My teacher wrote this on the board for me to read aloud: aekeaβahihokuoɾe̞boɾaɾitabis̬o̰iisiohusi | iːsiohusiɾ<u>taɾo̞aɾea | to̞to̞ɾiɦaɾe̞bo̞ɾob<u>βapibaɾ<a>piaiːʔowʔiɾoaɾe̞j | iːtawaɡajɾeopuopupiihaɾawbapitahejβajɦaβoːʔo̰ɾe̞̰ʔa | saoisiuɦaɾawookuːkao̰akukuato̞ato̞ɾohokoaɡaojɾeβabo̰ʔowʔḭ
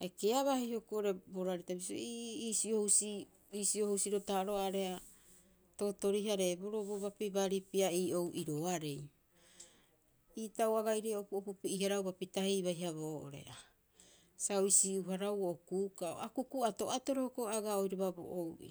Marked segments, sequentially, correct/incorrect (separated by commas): incorrect, incorrect, incorrect